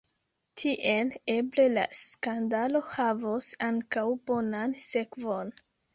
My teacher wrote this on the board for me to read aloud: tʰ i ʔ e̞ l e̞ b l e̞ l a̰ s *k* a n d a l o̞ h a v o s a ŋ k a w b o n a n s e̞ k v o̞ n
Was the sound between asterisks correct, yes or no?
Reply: yes